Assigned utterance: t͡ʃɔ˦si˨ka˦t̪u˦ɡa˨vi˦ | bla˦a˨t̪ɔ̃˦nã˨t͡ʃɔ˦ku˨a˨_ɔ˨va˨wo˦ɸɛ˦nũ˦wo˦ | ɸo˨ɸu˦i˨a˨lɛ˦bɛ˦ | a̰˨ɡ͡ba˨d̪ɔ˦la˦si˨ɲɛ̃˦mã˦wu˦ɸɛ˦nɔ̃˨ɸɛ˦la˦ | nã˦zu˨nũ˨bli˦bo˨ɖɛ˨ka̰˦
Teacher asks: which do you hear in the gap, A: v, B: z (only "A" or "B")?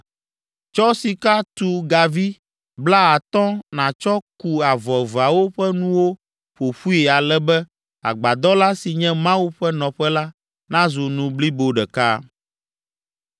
A